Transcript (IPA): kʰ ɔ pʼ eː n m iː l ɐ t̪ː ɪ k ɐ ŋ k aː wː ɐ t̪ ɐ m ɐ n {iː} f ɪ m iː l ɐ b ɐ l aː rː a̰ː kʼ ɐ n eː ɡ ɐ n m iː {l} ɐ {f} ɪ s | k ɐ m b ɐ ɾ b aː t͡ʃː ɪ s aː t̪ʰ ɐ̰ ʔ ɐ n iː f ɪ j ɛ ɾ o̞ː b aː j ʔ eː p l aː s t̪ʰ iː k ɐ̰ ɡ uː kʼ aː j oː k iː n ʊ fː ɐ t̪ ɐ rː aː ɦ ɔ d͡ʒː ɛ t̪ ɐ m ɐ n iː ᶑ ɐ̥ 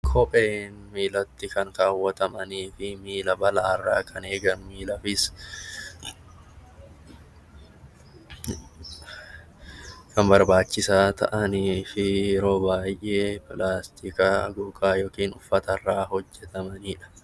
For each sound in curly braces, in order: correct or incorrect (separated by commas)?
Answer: correct, correct, correct